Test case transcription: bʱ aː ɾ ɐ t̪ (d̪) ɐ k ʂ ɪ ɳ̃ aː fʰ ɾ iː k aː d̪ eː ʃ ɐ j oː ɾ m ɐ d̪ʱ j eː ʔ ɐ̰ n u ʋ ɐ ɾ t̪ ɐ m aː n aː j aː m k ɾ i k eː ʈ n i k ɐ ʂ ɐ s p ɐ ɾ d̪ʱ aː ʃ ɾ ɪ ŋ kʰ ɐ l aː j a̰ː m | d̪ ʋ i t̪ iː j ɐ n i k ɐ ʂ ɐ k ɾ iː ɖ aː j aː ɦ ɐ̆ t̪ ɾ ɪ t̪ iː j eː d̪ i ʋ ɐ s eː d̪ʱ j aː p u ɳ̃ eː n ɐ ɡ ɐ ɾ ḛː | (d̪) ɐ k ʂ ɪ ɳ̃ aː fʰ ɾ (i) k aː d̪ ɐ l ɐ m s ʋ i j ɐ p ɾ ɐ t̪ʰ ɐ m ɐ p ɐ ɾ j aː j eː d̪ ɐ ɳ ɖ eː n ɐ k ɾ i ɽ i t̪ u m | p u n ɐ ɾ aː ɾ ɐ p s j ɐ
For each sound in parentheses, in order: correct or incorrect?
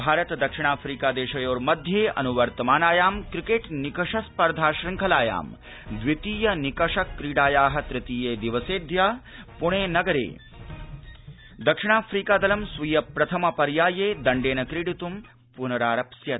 correct, correct, incorrect: iː

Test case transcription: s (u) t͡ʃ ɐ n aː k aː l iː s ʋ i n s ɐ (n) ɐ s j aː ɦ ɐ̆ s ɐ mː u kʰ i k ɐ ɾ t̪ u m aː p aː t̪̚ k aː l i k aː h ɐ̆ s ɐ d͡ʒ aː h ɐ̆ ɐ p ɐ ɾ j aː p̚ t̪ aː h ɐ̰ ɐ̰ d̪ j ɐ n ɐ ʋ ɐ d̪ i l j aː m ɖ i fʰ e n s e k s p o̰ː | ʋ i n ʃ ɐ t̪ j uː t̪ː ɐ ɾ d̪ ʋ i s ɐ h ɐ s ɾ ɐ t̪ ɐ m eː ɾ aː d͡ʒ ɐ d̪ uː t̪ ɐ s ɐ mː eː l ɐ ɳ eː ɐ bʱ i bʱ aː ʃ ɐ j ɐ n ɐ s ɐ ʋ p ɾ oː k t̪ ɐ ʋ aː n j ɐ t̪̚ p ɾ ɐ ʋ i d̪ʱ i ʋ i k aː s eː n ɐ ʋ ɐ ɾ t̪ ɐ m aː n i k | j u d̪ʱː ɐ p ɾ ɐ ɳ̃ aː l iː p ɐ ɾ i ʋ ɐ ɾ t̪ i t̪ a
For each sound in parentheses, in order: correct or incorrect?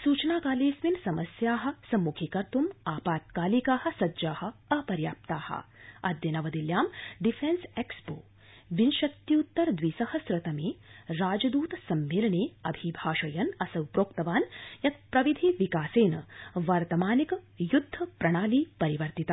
incorrect: uː, incorrect: m

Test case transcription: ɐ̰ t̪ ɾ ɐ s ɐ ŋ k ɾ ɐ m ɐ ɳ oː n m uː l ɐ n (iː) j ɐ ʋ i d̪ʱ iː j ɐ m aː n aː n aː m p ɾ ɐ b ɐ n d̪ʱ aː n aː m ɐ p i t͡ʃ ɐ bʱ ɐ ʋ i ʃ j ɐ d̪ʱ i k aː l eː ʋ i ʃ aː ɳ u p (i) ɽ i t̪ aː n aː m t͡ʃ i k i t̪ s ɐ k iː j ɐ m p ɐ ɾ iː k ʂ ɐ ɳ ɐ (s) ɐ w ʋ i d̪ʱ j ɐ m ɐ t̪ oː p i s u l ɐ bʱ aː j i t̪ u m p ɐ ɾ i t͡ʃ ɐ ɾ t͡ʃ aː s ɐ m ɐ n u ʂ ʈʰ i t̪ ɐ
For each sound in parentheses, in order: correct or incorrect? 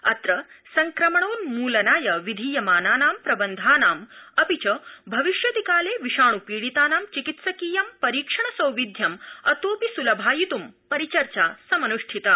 incorrect: aː, incorrect: iː, correct

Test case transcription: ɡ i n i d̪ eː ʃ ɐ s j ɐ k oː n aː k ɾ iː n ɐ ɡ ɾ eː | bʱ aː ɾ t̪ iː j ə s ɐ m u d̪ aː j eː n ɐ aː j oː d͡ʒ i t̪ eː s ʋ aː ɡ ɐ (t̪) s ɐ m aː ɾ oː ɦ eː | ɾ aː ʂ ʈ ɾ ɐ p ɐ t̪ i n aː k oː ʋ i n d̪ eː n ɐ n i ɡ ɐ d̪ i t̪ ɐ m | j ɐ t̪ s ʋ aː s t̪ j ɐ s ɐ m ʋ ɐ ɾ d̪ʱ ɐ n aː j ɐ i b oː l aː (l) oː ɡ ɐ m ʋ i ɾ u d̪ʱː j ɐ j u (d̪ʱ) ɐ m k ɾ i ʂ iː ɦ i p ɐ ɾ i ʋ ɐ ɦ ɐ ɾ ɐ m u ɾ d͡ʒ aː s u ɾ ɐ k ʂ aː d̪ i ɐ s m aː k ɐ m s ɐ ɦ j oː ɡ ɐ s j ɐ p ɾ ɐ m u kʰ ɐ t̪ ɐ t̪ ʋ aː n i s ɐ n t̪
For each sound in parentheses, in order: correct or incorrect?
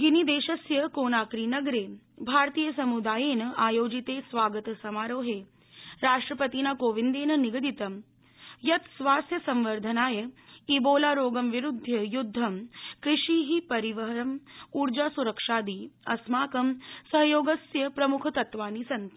correct, incorrect: ɾ, incorrect: d̪ʱː

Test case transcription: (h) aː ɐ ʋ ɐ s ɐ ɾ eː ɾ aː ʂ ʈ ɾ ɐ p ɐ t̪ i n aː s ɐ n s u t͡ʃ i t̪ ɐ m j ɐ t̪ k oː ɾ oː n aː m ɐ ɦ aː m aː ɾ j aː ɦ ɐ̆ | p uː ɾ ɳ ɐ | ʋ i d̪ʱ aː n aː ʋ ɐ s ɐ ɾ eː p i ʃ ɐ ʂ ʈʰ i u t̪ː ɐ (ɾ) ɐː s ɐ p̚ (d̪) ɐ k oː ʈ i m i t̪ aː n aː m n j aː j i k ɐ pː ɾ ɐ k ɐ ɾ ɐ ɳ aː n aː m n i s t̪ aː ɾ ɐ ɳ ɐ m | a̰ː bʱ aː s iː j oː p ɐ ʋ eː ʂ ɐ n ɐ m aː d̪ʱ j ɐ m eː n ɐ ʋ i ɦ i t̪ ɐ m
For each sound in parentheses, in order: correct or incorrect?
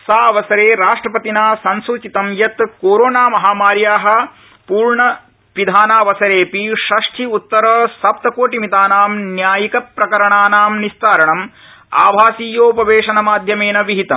incorrect: s, correct, incorrect: t̪

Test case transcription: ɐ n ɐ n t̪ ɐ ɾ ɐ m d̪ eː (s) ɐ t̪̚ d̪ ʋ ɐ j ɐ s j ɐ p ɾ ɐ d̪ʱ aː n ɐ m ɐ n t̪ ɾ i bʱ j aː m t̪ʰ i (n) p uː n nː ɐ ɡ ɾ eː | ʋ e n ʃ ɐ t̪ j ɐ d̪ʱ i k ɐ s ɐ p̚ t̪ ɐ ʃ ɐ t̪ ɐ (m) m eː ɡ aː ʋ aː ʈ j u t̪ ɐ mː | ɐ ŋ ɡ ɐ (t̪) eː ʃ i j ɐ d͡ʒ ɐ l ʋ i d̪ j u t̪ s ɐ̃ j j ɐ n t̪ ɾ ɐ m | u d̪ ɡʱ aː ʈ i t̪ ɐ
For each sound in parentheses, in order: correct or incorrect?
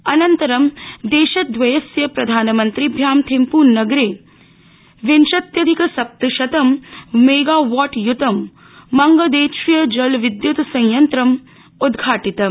incorrect: ʃ, incorrect: m, correct, incorrect: d̪

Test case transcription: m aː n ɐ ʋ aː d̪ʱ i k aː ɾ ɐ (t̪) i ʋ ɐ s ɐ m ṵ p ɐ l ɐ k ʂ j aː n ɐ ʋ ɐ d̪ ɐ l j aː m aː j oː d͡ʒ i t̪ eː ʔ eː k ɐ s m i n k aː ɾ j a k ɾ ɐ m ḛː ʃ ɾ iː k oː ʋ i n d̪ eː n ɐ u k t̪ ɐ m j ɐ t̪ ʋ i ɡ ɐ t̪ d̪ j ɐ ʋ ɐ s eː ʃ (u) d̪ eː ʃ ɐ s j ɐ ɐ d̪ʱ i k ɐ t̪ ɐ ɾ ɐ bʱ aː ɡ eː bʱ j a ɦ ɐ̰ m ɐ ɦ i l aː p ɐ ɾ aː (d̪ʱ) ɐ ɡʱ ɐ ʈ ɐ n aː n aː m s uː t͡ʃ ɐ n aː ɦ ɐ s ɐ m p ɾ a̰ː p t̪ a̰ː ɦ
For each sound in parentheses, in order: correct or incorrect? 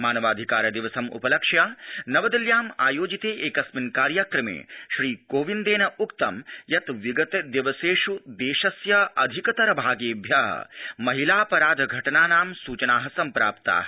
incorrect: d̪, correct, correct

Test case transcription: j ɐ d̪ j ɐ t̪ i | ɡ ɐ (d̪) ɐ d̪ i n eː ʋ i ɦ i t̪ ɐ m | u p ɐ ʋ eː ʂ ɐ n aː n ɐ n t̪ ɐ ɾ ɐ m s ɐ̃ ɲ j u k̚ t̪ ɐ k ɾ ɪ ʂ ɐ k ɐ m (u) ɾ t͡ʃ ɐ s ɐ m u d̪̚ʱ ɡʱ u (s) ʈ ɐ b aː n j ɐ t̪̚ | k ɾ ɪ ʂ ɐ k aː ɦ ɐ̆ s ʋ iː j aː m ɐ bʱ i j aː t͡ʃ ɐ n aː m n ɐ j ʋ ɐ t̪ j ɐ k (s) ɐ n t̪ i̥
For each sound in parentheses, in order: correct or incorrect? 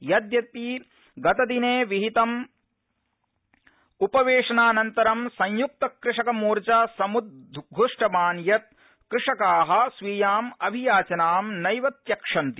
incorrect: t̪, incorrect: uː, incorrect: ʂ, incorrect: ʂ

